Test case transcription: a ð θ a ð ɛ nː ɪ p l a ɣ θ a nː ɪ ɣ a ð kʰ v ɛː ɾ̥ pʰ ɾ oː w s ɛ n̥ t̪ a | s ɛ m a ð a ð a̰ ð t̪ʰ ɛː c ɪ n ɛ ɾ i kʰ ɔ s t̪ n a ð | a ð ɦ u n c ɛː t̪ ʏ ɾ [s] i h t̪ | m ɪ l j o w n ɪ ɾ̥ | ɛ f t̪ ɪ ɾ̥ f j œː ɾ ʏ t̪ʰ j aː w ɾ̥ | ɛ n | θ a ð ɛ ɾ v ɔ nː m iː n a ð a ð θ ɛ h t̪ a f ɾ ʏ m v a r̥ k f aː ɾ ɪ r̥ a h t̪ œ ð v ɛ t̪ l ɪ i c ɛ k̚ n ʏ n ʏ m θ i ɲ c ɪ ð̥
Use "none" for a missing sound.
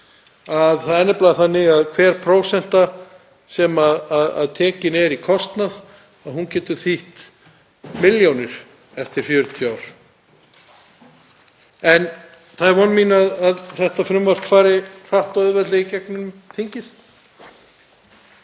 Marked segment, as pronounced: θ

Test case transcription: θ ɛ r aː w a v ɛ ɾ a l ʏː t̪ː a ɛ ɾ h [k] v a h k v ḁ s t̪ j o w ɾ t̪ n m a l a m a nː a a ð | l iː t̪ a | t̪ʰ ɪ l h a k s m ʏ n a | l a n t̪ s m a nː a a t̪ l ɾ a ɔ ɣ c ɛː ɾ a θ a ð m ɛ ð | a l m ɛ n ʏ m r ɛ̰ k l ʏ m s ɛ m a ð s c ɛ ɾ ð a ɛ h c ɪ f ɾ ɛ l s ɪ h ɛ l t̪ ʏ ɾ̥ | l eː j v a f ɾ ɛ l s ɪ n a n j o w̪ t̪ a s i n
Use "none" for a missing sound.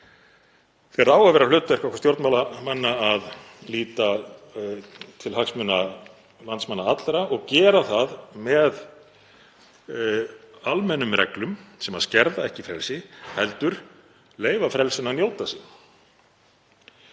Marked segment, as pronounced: k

